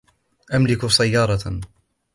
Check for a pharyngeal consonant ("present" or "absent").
absent